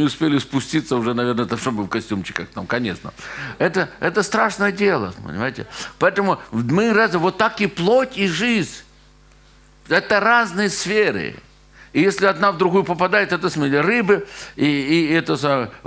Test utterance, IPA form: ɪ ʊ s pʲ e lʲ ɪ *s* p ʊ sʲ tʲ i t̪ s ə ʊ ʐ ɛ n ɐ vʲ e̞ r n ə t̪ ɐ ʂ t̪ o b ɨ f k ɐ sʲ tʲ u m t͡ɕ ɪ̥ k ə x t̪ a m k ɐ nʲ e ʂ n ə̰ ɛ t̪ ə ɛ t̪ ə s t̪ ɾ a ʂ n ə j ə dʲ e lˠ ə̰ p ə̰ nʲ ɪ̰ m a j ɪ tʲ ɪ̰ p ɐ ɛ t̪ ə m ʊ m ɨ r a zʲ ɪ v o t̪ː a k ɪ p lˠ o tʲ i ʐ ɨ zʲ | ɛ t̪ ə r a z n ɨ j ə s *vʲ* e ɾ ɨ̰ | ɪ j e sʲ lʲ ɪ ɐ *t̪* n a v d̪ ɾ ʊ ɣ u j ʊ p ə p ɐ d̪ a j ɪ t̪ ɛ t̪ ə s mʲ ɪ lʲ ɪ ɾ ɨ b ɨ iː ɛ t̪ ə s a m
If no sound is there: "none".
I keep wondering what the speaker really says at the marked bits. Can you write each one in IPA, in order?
s, fʲ, d̪

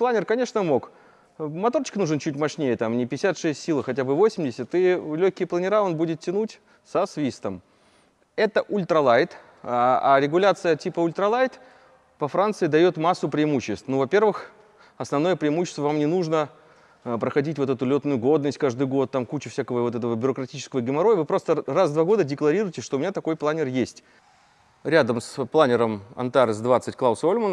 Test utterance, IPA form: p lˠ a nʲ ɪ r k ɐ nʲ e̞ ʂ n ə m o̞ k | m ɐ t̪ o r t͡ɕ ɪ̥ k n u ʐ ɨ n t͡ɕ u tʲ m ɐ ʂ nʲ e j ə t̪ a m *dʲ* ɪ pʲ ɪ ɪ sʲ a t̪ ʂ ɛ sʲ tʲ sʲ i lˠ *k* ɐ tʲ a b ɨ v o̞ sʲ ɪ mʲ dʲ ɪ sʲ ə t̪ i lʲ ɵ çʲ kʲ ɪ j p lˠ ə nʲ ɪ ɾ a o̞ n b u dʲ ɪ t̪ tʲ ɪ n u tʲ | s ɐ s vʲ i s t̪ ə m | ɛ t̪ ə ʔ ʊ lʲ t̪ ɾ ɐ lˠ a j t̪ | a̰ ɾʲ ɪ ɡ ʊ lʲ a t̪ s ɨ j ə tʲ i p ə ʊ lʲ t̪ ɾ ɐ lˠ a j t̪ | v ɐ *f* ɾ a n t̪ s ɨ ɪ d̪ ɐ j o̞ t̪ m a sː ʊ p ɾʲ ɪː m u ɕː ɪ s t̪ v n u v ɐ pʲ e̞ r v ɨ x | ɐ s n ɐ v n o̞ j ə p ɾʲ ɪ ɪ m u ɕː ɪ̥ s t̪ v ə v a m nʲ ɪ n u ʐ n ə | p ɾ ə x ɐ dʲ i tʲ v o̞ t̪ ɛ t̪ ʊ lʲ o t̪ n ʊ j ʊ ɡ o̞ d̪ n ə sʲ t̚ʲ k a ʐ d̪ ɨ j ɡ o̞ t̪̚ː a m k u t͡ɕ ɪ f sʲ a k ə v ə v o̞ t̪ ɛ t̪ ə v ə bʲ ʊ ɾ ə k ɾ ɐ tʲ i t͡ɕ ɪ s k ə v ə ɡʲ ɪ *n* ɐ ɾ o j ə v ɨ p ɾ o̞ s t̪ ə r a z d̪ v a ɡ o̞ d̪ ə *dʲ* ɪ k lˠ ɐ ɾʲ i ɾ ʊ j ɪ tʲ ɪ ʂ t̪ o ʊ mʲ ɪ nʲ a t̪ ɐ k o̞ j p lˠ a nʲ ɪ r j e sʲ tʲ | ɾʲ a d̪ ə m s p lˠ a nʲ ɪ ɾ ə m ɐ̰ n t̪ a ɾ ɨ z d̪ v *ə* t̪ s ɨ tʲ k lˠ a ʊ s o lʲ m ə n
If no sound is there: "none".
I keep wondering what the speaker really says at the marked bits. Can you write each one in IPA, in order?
nʲ, x, f, m, dʲ, a

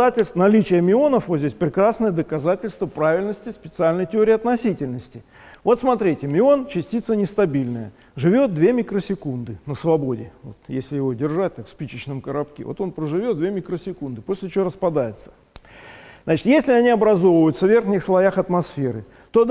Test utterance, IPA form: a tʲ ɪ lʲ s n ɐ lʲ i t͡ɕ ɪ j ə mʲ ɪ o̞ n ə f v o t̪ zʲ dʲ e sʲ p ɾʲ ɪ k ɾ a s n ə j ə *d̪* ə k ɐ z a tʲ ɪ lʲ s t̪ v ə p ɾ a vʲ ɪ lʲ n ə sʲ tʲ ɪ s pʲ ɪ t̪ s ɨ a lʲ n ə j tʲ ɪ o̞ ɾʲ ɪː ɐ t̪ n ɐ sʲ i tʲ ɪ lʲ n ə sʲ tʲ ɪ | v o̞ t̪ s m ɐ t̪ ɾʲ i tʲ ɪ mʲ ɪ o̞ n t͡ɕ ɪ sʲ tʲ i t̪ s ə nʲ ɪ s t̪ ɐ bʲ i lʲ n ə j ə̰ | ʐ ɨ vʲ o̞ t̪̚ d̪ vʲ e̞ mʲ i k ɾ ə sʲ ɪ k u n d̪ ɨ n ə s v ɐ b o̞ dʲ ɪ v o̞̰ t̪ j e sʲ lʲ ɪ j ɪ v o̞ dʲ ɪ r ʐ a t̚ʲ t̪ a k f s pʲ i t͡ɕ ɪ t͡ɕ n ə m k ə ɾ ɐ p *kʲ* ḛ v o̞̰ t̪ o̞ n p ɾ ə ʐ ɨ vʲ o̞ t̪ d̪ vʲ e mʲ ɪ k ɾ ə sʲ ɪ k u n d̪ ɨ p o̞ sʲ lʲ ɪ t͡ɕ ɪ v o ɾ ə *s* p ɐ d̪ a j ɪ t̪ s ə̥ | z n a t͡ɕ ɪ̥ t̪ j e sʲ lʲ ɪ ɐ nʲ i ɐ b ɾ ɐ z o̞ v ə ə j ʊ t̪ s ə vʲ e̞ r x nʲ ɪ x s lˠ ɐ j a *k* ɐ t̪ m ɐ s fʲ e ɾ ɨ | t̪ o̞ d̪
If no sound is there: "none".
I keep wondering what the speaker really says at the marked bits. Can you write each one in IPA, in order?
d̪, kʲ, s, x

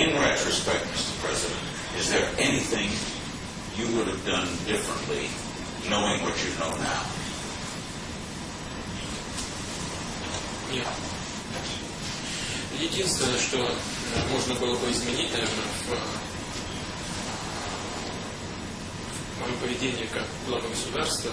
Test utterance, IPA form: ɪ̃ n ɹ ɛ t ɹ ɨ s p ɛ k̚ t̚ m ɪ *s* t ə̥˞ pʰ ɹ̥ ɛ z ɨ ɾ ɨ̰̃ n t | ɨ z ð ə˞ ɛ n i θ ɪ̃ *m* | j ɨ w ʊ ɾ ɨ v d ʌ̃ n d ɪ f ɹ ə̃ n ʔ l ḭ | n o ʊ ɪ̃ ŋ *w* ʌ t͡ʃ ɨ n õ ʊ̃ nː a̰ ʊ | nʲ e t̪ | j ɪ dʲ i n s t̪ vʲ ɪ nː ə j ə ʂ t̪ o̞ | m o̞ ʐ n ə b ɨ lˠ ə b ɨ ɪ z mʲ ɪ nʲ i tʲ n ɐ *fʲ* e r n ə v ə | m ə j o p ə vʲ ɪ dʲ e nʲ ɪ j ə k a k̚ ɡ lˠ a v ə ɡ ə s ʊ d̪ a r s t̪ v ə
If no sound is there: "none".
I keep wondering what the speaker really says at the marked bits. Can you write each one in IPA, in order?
s, ŋ, w, vʲ

